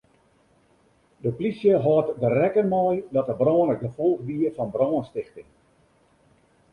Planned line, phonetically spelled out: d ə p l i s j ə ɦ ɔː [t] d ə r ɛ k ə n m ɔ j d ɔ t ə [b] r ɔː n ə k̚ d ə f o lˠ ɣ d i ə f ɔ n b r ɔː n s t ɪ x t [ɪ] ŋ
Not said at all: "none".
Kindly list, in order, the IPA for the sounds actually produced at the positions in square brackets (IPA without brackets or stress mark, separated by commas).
t, b, ɪ